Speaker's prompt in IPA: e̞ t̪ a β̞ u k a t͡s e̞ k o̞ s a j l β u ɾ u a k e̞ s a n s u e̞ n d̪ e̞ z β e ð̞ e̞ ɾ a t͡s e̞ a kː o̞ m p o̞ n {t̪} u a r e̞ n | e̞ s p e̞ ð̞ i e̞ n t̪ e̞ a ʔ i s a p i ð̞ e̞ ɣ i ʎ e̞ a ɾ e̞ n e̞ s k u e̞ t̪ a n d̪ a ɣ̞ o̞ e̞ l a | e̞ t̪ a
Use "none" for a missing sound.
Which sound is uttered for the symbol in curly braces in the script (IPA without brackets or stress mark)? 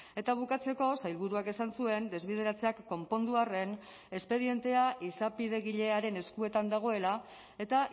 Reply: d̪